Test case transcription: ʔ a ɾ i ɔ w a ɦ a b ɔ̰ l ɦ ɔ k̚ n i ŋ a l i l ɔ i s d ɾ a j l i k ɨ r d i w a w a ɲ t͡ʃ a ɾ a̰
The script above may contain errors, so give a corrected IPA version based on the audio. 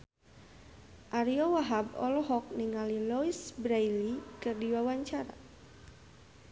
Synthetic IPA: ʔ a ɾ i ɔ w a ɦ a b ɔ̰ l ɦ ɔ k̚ n i ŋ a l i l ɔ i s b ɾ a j l i k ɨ r d i w a w a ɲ t͡ʃ a ɾ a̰